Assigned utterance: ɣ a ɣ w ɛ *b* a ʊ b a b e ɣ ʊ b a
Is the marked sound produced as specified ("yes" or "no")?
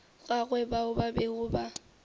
yes